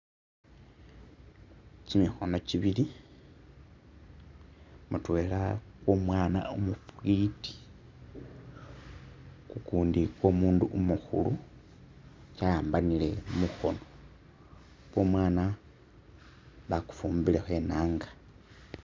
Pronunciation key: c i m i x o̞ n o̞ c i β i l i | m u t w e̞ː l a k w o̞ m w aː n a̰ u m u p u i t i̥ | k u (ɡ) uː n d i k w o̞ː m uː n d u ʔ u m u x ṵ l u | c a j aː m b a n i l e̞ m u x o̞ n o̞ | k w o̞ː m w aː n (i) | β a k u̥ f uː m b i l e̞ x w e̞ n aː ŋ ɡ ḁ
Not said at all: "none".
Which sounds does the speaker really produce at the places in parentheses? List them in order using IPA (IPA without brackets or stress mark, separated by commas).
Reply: k, a